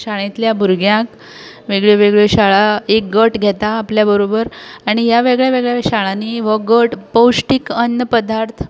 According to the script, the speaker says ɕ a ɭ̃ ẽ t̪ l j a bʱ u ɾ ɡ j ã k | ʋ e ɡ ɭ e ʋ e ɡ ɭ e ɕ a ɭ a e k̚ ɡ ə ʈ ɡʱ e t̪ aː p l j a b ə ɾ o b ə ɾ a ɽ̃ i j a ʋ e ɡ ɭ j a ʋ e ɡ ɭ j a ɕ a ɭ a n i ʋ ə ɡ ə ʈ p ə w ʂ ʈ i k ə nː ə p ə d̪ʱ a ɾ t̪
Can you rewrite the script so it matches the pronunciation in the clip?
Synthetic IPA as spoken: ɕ a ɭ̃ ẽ t̪ l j a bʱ u ɾ ɡ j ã k | ʋ e ɡ ɭ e ʋ e ɡ ɭ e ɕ a ɭ a e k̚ ɡ ə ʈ ɡʱ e t̪ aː p l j a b ə ɾ o b ə ɾ a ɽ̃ i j a ʋ e ɡ ɭ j a ʋ e ɡ ɭ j a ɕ a ɭ a n i ʋ ə ɡ ə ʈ p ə w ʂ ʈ i k ə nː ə p ə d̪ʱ a ɾ t̪ʰ